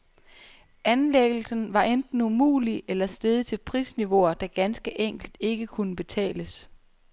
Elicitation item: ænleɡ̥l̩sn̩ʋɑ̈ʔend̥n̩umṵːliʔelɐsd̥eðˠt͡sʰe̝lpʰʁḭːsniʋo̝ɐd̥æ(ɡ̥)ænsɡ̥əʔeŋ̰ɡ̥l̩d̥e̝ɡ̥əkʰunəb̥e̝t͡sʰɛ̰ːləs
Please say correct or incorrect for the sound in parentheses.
correct